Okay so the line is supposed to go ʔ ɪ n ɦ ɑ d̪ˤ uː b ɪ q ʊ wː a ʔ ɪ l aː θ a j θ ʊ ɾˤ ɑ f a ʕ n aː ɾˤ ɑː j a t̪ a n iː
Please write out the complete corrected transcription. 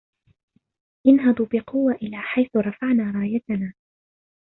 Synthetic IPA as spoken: ʔ ɪ n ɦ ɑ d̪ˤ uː b ɪ q ʊ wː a ʔ ɪ l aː ħ a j θ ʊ ɾˤ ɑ f a ʕ n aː ɾˤ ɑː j a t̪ a n aː